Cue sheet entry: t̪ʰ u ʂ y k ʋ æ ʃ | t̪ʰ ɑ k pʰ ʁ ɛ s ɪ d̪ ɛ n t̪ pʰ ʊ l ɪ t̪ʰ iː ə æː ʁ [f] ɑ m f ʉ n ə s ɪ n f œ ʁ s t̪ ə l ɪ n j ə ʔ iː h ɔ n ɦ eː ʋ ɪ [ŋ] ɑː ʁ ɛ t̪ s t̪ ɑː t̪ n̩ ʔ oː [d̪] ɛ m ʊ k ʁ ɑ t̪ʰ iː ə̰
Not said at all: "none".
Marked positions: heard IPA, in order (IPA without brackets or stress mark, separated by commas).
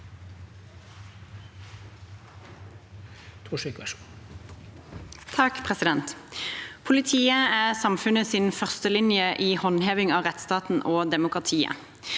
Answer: s, ŋ, d̪